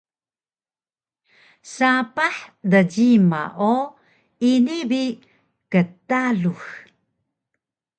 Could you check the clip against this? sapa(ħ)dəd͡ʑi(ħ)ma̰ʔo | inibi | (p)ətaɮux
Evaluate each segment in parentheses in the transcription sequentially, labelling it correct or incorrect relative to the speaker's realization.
correct, incorrect: none, incorrect: k

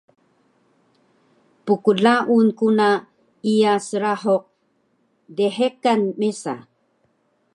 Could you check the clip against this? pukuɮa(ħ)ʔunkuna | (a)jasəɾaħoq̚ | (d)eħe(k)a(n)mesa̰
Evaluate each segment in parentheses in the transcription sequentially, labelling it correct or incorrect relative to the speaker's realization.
incorrect: none, incorrect: i, correct, correct, correct

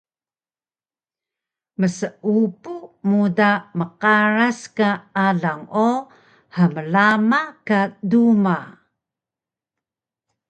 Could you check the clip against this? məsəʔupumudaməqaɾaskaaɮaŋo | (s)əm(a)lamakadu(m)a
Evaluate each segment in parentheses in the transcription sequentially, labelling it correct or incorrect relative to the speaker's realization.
incorrect: h, incorrect: ə, correct

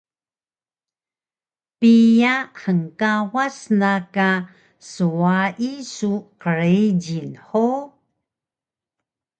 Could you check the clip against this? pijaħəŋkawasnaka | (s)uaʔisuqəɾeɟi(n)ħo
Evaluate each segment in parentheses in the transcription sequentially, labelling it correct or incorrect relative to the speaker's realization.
correct, correct

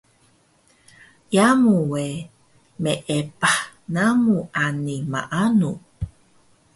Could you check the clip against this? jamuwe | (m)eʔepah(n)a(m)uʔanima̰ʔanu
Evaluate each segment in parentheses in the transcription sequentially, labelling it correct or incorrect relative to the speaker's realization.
correct, correct, correct

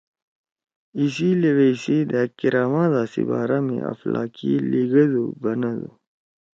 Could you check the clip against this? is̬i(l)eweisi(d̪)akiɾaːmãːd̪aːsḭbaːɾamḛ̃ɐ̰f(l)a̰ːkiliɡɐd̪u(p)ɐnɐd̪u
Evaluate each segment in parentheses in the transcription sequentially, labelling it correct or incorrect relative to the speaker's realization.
correct, correct, correct, incorrect: b

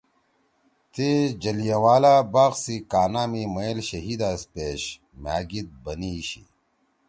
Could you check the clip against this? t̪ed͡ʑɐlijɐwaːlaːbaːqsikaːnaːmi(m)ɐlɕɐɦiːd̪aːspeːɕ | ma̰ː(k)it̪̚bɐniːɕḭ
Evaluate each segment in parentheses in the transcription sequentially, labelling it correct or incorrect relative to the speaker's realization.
correct, incorrect: ɡ

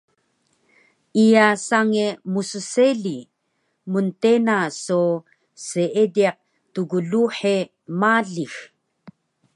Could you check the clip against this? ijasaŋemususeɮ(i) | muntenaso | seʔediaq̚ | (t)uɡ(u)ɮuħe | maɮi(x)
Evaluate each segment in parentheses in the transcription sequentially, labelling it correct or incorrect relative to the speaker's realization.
correct, correct, correct, correct

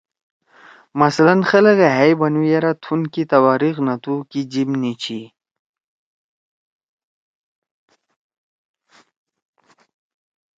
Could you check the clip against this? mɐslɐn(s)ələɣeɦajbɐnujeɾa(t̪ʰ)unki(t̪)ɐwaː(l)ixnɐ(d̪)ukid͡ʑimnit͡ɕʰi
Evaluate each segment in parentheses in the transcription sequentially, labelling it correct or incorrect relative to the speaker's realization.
incorrect: x, correct, correct, incorrect: ɾ, incorrect: t̪

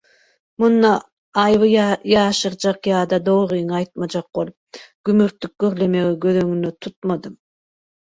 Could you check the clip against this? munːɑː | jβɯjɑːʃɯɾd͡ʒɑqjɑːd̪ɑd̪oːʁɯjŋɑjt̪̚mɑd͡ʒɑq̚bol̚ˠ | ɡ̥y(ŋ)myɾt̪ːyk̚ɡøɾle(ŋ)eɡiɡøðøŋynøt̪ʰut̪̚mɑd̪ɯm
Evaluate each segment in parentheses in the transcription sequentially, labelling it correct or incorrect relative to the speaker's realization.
incorrect: none, incorrect: m

